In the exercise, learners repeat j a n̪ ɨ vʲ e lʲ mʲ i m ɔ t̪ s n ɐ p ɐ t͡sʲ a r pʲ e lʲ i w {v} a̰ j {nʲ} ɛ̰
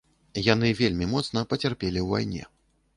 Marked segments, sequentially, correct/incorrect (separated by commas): correct, correct